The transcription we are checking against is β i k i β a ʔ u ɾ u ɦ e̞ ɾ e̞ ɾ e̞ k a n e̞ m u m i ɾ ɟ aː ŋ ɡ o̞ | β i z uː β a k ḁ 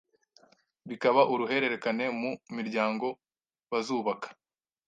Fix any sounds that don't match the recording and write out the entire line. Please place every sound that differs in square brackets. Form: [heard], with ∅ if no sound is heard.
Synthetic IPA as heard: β i k [a] β a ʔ u ɾ u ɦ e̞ ɾ e̞ ɾ e̞ k a n e̞ m u m i ɾ ɟ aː ŋ ɡ o̞ | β [a] z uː β a k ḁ